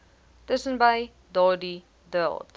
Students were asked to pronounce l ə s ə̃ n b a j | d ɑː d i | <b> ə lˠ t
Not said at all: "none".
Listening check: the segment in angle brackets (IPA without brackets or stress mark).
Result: d